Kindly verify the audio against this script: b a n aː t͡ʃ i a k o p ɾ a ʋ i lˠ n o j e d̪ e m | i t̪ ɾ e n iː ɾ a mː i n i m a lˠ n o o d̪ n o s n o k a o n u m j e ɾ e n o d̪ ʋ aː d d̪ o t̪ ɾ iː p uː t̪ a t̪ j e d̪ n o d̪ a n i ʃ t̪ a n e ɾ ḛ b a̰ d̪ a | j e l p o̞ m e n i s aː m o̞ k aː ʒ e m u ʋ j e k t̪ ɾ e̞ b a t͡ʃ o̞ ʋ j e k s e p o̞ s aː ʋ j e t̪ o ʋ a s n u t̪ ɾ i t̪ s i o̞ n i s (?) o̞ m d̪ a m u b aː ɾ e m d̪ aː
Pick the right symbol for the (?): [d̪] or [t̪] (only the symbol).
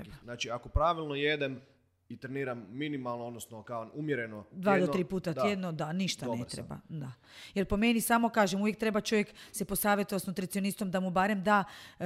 t̪